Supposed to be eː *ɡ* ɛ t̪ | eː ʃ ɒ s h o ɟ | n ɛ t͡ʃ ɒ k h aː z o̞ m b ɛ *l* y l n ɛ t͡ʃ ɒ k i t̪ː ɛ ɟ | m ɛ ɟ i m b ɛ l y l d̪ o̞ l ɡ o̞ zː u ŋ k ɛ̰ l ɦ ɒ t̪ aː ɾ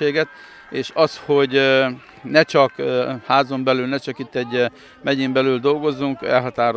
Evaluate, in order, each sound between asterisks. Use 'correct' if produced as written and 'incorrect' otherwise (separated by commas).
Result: correct, correct